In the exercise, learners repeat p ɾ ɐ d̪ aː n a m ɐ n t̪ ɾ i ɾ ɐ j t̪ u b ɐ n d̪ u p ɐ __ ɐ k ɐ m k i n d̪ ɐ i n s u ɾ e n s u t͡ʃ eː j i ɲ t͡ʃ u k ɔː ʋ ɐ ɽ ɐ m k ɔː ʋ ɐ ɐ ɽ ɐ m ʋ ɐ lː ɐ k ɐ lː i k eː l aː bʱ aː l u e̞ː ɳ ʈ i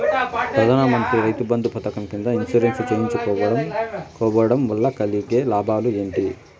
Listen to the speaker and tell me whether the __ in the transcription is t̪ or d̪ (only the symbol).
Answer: t̪